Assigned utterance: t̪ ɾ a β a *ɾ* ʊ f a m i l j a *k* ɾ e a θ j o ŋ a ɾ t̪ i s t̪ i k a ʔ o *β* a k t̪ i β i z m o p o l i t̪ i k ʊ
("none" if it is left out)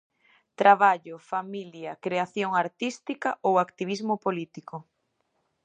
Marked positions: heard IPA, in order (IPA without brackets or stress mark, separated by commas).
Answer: ʎ, k, w